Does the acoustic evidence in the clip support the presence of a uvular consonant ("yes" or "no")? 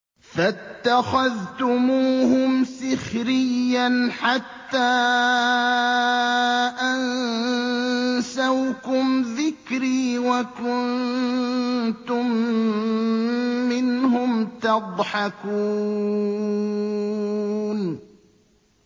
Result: no